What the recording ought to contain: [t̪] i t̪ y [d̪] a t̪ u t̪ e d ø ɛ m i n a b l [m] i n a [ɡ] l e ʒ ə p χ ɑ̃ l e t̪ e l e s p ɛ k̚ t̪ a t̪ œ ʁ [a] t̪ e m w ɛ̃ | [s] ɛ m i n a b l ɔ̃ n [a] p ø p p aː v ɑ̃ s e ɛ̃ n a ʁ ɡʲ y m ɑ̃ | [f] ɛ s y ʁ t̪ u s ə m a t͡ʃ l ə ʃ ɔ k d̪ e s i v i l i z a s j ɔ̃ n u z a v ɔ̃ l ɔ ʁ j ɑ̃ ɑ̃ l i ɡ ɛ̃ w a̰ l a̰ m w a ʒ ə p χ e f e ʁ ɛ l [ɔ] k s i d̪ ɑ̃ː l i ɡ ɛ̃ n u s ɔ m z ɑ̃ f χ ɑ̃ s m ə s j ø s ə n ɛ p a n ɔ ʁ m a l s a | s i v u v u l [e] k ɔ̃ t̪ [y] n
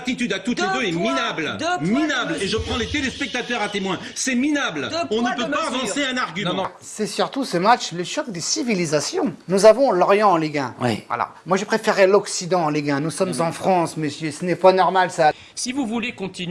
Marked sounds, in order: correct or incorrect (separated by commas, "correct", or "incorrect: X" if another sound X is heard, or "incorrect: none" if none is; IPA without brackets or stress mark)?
correct, correct, correct, incorrect: b, correct, correct, incorrect: ə, incorrect: s, correct, correct, incorrect: i